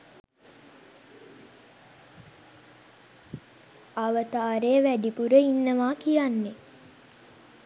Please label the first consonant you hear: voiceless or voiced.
voiced